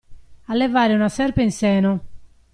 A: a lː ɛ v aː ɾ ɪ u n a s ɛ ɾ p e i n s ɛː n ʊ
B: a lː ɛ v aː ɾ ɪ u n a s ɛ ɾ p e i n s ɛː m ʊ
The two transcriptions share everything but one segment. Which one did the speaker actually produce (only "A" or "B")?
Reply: A